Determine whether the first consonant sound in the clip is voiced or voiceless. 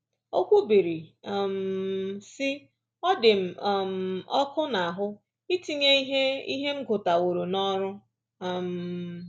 voiceless